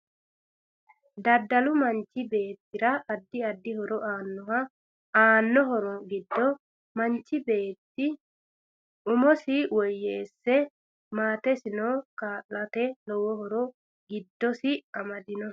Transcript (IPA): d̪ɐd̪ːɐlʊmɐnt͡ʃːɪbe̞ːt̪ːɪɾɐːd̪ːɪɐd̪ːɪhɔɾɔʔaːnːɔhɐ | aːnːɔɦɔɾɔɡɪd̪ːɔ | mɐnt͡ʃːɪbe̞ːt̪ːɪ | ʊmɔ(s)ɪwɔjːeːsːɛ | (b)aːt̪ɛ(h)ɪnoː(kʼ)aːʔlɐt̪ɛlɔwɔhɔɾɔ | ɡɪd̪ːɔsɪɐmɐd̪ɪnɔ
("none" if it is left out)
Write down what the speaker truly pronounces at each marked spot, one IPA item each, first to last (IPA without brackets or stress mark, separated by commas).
s, m, s, k